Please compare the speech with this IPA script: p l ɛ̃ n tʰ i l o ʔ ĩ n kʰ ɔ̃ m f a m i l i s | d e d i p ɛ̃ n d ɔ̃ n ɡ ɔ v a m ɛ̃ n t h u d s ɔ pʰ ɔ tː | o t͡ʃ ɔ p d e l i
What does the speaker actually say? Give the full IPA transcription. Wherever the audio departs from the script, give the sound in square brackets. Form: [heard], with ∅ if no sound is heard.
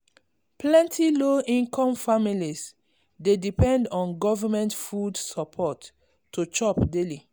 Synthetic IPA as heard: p l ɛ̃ n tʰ i l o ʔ ĩ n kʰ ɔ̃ m f a m i l i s | d e d i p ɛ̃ n d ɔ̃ n ɡ ɔ v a m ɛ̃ n t [f] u d s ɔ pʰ ɔ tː | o t͡ʃ ɔ p d e l i